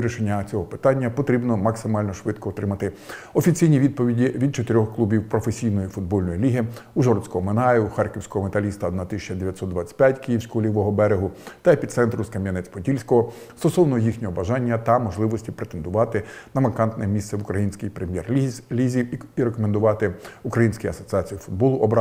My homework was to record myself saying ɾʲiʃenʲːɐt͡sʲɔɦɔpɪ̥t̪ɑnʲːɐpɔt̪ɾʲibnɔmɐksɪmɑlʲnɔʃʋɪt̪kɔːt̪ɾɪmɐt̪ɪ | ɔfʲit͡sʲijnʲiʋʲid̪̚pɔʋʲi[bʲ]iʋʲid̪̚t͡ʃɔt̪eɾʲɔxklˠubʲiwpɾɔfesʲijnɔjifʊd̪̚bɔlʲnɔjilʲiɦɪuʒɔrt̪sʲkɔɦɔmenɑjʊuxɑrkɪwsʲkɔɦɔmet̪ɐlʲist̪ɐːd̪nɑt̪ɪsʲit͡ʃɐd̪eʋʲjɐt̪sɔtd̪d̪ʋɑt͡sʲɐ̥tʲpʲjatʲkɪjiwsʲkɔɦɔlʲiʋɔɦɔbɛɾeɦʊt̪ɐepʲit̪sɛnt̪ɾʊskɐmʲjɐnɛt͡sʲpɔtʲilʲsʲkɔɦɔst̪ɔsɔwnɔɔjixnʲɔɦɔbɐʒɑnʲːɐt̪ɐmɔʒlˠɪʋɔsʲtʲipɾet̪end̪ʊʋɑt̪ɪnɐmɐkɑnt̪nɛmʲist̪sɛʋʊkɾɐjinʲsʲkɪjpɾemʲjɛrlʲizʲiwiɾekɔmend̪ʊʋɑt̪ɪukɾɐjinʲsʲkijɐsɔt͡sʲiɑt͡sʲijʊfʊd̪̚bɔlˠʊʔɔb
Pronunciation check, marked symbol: incorrect: dʲ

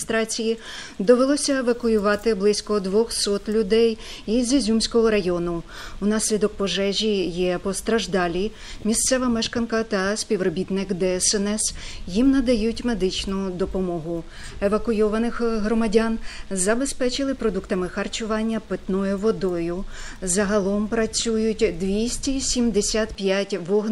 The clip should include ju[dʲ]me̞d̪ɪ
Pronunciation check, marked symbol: incorrect: tʲ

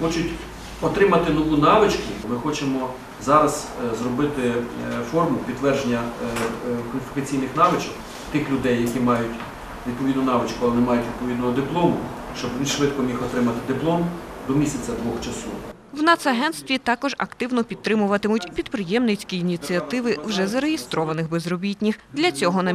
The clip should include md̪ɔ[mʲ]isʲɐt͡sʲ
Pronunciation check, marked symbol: correct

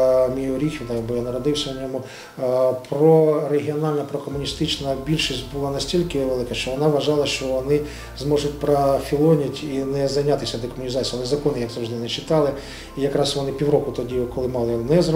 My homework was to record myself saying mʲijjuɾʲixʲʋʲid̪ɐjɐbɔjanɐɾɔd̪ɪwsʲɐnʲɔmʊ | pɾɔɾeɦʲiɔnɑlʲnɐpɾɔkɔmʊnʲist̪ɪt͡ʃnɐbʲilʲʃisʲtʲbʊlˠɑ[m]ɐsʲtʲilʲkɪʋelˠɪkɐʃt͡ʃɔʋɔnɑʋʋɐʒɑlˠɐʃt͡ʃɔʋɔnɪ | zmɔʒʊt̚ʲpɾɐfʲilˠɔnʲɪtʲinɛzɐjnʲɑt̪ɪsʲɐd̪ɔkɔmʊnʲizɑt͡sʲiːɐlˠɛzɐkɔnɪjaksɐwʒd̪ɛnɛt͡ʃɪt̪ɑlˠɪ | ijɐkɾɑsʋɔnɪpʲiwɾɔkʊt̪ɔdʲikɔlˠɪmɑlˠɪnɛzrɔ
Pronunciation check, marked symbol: incorrect: n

